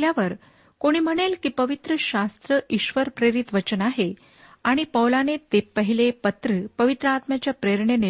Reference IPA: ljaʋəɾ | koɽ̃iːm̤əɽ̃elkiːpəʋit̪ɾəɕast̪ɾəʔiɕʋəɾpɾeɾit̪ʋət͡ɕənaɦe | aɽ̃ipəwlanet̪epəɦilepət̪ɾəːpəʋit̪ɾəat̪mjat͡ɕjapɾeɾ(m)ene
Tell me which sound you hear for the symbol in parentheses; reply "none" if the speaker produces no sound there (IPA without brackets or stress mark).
ɳ